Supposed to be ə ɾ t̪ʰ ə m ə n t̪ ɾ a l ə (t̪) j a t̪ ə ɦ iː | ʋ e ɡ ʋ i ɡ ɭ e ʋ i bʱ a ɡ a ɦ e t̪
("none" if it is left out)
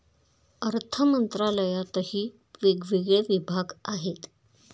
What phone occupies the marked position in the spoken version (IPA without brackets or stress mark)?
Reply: none